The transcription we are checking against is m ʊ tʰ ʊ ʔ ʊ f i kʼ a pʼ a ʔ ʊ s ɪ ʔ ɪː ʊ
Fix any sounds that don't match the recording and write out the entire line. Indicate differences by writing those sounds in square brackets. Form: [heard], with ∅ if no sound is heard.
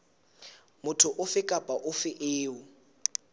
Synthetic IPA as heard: m ʊ tʰ ʊ ʔ ʊ f [ɪ] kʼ a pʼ a ʔ ʊ [f] ɪ ʔ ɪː ʊ